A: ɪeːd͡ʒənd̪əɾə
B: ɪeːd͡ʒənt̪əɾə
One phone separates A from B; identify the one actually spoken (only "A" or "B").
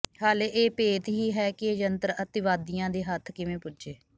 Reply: B